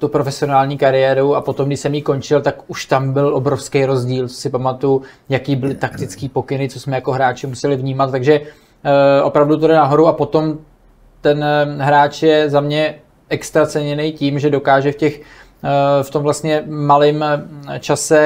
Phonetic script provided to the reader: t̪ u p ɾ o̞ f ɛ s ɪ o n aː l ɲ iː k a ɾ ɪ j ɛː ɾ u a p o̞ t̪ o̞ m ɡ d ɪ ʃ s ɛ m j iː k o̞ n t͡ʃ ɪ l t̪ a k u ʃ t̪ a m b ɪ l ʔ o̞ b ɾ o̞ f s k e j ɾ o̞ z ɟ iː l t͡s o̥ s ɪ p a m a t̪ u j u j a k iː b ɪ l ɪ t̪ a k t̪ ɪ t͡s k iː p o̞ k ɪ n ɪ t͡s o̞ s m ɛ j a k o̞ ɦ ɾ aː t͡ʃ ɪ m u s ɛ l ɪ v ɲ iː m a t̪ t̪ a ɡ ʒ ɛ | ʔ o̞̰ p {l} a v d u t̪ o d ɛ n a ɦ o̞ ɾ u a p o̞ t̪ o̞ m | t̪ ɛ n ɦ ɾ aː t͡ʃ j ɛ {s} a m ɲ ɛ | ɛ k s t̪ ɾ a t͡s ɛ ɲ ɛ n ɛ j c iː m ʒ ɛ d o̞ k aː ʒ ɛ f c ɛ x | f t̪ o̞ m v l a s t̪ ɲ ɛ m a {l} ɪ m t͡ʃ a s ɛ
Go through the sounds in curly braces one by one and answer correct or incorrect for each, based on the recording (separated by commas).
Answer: incorrect, incorrect, correct